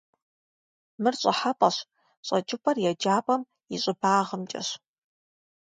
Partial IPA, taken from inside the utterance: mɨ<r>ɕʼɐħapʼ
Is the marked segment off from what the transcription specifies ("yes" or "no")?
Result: no